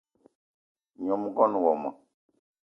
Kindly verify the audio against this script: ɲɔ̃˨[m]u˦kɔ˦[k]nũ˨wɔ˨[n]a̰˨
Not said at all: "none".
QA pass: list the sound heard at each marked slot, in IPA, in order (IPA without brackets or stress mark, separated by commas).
m, none, m